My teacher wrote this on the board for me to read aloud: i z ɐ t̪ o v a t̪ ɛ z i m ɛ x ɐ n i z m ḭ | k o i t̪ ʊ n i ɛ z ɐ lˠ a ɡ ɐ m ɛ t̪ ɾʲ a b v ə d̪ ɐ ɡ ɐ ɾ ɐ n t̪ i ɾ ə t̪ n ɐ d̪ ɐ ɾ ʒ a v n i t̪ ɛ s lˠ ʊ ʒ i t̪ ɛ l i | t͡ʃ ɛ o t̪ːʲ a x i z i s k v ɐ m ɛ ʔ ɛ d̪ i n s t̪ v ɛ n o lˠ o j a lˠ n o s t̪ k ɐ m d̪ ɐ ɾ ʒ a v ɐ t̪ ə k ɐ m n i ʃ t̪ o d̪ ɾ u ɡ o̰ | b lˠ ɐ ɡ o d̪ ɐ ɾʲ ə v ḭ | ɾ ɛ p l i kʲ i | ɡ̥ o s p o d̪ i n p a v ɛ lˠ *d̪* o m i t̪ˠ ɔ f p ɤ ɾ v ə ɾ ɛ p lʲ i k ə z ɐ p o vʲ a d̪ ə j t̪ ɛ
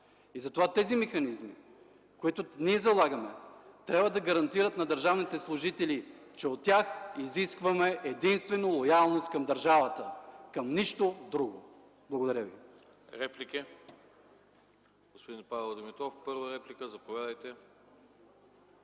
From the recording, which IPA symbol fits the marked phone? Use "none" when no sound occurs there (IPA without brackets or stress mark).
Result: d̪